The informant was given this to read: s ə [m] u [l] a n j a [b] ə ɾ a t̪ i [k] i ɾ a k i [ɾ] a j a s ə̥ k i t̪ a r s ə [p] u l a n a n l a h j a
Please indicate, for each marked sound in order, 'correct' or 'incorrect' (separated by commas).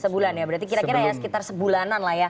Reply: incorrect, correct, correct, correct, correct, incorrect